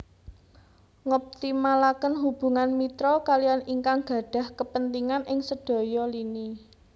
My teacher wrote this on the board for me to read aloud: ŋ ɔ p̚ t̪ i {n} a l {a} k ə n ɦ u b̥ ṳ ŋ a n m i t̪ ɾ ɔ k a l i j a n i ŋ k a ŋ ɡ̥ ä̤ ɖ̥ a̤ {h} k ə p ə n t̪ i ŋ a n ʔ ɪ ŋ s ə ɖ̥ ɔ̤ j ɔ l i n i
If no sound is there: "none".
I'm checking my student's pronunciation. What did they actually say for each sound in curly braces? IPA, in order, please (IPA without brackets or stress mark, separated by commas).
m, a, h